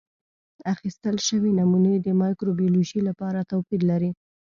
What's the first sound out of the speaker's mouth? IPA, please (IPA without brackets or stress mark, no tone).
a